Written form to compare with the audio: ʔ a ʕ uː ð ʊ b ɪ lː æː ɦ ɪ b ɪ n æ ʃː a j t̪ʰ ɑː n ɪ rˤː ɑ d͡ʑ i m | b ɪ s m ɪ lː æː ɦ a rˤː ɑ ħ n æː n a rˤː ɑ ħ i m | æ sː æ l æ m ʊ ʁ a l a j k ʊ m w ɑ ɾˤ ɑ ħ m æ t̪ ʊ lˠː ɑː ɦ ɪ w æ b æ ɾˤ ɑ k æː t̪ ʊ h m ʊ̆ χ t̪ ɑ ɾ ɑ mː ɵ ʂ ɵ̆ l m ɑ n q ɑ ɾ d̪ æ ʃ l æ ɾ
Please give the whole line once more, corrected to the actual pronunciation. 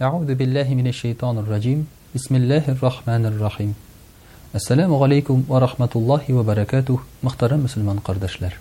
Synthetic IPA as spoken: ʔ a ʕ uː ð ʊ b ɪ lː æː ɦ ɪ m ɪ n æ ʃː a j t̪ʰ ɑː n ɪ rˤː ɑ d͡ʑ i m | b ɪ s m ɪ lː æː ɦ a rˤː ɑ ħ m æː n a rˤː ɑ ħ i m | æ sː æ l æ m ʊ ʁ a l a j k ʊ m w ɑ ɾˤ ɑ ħ m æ t̪ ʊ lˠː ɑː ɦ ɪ w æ b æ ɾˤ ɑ k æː t̪ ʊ h m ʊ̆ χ t̪ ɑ ɾ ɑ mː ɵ s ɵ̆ l m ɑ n q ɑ ɾ d̪ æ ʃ l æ ɾ